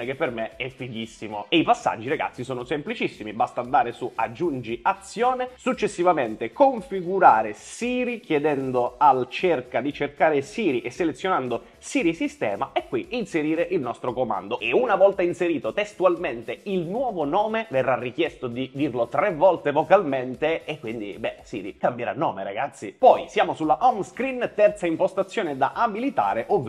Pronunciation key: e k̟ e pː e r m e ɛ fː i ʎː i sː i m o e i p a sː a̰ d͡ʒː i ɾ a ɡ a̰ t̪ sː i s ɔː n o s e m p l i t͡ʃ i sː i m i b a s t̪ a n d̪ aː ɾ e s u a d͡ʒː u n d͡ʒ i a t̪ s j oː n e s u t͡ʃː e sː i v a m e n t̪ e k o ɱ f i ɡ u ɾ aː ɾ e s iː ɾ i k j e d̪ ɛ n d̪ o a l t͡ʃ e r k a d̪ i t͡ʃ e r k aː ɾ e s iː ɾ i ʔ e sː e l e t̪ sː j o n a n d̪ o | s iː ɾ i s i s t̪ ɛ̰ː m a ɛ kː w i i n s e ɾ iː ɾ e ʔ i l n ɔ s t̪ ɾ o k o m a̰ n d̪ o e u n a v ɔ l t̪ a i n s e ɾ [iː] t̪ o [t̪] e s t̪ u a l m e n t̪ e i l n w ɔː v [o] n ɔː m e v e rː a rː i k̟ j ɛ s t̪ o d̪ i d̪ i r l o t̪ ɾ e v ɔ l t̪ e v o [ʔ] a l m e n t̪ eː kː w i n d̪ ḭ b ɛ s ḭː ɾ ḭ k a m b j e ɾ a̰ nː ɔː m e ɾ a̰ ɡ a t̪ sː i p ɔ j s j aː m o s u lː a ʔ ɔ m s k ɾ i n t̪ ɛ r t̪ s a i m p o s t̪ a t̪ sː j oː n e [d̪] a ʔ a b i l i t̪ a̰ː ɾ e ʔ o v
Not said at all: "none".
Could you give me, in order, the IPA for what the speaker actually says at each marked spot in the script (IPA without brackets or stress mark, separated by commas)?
iː, t̪, o, k, d̪